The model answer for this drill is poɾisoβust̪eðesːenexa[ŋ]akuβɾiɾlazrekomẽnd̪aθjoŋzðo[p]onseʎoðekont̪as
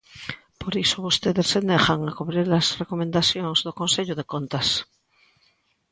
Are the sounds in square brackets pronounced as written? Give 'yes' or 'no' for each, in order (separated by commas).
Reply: yes, no